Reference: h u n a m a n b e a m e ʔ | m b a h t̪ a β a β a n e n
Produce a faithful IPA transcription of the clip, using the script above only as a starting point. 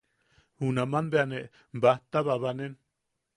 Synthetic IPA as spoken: h u n a m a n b e a n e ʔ | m b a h t̪ a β a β a n e n